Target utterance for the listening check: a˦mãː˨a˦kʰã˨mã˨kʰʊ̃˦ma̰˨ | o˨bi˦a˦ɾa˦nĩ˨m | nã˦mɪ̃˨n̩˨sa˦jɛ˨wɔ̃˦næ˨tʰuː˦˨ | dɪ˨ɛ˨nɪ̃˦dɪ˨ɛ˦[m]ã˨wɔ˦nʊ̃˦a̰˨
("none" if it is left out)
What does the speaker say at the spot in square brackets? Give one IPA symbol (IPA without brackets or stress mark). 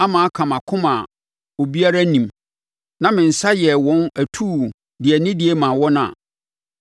m